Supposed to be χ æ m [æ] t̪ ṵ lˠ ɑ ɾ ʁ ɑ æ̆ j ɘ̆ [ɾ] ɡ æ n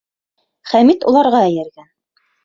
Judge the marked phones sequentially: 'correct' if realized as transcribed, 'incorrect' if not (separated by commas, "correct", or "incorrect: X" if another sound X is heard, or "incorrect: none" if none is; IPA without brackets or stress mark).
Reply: incorrect: i, correct